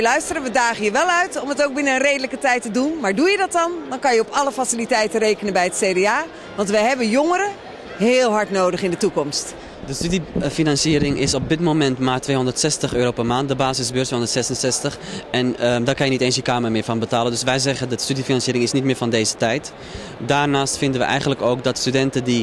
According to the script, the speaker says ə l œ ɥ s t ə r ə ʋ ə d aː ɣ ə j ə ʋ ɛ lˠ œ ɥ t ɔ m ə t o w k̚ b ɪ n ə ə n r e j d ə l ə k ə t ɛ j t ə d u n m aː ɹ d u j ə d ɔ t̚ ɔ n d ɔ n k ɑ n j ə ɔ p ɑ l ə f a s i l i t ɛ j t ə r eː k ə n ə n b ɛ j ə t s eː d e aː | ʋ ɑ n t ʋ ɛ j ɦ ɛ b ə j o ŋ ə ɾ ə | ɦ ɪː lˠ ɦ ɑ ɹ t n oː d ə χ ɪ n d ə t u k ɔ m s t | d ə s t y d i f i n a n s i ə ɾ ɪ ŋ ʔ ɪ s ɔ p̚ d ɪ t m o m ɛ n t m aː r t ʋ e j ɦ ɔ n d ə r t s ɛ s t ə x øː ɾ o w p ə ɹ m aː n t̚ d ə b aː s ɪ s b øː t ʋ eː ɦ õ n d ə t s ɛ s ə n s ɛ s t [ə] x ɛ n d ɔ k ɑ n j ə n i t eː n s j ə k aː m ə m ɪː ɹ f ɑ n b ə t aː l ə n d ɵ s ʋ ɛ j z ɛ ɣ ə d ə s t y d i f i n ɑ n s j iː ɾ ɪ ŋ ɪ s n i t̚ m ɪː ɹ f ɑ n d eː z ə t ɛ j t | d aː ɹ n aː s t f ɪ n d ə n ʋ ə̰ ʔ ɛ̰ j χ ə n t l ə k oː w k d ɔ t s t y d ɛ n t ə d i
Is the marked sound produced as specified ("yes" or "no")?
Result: yes